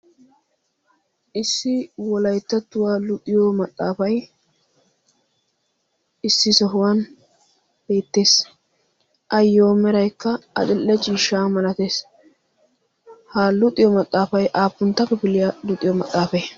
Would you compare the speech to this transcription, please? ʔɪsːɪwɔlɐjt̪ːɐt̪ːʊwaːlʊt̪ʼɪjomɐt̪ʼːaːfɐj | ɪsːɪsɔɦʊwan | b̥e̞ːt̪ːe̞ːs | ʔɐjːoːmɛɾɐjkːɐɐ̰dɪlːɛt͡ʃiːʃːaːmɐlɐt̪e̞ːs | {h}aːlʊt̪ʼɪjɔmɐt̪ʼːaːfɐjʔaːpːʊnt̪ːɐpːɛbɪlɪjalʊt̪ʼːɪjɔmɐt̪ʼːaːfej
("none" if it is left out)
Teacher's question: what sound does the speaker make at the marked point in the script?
h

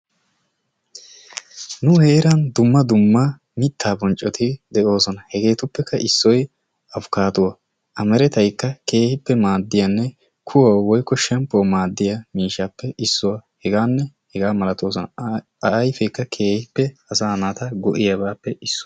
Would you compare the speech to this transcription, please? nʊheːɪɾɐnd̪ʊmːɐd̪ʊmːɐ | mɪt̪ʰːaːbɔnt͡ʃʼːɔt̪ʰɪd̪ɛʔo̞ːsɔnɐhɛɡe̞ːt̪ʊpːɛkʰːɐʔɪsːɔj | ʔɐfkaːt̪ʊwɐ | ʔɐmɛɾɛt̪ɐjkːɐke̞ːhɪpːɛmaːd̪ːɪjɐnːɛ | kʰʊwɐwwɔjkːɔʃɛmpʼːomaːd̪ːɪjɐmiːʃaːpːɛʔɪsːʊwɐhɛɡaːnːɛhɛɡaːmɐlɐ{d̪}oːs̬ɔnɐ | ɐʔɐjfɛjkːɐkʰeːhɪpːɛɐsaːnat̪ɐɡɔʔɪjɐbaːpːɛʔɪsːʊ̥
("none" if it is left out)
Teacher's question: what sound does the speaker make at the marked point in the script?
t̪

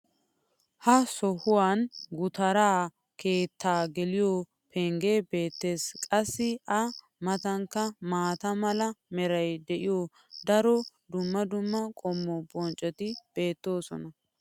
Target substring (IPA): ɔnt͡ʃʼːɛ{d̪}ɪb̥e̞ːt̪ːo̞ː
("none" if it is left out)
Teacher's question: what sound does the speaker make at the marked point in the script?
t̪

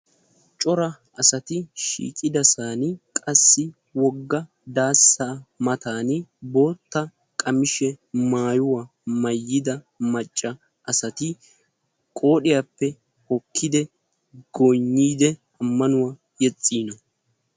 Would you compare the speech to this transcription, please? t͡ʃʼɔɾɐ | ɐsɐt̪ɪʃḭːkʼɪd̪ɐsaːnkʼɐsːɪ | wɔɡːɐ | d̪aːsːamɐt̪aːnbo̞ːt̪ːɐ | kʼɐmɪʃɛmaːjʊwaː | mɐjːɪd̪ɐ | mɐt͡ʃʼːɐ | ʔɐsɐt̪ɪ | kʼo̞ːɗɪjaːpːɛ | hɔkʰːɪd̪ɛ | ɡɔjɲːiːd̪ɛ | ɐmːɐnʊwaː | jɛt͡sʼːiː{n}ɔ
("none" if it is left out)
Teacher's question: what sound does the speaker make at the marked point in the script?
n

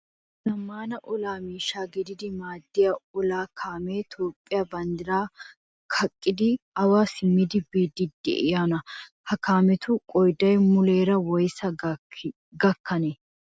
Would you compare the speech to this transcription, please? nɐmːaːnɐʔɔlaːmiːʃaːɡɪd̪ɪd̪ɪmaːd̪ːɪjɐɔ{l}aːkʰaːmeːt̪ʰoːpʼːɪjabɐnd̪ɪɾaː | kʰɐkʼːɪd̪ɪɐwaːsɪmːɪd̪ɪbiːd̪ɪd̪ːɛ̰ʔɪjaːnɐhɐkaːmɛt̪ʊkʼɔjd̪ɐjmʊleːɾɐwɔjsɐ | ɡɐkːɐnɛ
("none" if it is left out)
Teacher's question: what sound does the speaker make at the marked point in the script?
l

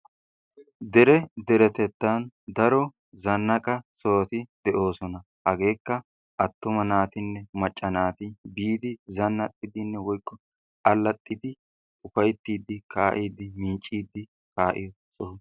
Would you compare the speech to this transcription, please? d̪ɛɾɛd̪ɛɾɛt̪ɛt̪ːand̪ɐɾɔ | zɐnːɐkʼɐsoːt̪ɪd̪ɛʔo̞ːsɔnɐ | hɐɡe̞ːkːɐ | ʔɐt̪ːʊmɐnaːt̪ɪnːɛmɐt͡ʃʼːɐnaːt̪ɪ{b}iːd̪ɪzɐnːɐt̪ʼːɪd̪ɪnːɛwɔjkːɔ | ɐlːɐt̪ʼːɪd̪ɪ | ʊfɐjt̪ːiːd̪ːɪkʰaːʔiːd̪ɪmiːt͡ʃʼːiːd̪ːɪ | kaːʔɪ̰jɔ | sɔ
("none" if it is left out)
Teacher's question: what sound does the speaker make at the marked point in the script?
b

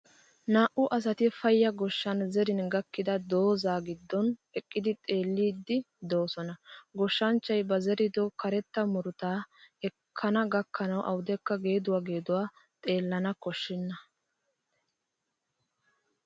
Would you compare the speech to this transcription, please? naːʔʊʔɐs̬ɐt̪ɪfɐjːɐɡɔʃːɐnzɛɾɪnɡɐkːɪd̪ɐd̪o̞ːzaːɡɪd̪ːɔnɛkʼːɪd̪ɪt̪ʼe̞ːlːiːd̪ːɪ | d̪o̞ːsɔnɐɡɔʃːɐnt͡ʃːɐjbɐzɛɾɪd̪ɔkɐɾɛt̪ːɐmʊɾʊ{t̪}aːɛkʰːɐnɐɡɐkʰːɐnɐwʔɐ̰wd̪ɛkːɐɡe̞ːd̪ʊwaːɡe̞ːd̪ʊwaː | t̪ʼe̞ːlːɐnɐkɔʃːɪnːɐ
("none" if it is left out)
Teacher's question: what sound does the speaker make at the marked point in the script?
t̪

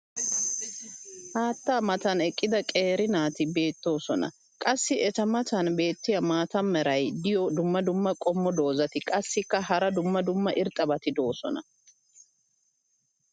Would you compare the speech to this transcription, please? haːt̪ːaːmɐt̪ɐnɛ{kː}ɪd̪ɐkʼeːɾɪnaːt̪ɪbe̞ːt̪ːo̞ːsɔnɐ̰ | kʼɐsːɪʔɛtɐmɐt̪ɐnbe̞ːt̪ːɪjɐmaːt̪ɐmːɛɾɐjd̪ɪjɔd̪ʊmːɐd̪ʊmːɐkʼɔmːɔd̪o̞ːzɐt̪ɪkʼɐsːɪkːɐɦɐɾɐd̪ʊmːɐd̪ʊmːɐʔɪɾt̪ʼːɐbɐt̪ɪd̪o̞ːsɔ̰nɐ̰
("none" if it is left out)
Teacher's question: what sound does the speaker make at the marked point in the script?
kʼː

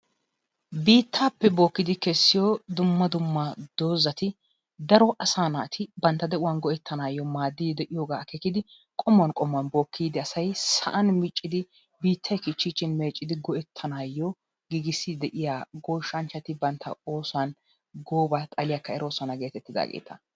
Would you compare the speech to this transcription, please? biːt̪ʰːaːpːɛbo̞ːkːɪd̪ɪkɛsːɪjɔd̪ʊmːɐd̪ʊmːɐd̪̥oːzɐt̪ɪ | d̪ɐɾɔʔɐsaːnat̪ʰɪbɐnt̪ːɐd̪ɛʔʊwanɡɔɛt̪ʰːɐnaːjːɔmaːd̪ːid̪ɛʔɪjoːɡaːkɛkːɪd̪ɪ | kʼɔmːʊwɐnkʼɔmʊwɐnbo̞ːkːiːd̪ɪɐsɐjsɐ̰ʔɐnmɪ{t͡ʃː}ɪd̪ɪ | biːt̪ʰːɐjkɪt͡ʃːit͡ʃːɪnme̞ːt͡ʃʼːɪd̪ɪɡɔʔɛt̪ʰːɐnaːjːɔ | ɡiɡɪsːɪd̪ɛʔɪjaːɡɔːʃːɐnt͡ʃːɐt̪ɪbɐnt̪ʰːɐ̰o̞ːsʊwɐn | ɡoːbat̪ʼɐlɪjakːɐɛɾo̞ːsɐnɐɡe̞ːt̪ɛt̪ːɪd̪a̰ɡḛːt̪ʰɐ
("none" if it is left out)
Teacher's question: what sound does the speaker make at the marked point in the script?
t͡ʃʼː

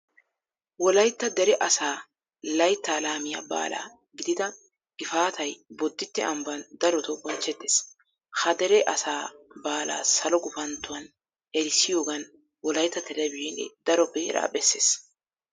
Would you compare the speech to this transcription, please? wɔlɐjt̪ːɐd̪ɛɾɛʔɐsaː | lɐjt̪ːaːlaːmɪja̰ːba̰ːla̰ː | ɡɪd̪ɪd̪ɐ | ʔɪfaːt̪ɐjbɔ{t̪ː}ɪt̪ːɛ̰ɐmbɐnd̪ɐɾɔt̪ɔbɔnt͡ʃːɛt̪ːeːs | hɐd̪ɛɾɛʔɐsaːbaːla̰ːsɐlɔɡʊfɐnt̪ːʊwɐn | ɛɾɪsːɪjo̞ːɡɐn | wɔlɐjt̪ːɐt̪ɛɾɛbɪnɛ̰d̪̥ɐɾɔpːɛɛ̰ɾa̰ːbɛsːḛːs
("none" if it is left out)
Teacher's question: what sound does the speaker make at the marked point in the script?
d̪ː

